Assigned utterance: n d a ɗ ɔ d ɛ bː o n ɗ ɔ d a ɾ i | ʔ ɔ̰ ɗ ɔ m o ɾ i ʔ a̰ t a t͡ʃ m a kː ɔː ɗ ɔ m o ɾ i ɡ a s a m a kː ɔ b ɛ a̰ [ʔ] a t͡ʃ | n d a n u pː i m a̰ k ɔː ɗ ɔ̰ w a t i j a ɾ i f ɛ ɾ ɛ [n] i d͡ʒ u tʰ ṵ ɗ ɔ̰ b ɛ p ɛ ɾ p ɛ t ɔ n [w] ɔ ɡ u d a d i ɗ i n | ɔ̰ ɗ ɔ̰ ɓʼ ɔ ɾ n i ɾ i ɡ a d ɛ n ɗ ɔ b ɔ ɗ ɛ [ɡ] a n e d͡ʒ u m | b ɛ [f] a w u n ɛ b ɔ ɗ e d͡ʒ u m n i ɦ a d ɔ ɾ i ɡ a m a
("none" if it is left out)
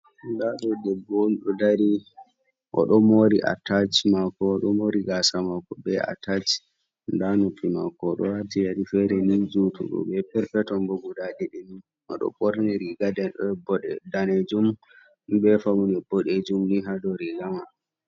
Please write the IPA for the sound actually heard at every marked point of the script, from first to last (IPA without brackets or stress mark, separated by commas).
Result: t, n, b, d, f